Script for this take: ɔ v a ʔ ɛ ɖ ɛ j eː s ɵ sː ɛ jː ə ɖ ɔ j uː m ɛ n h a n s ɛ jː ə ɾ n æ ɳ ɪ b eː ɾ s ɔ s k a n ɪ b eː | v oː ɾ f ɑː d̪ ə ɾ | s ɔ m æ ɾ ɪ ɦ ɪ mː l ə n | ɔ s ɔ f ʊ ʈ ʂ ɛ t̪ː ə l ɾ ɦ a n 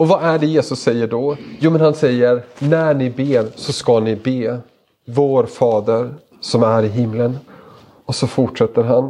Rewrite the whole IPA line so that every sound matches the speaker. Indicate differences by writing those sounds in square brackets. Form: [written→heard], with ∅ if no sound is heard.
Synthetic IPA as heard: ɔ v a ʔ [ɛ→æ] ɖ ɛ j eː s ɵ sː ɛ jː ə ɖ ɔ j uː m ɛ n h a n s ɛ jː ə ɾ n æ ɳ ɪ b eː ɾ s ɔ s k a n ɪ b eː | v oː ɾ f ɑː d̪ ə ɾ | s ɔ m æ ɾ ɪ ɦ ɪ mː l ə n | ɔ s ɔ f ʊ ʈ ʂ ɛ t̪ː ə [l→∅] ɾ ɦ a n